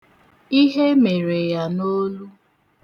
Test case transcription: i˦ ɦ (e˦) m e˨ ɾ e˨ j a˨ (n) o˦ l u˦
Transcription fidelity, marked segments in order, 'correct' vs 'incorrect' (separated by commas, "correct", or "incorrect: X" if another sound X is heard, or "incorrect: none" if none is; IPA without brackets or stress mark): correct, correct